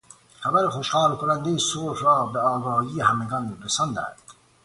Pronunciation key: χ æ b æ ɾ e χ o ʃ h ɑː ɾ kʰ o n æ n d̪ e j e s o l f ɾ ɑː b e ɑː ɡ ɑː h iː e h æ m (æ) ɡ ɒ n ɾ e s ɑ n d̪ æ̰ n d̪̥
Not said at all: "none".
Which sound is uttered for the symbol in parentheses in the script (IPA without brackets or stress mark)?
e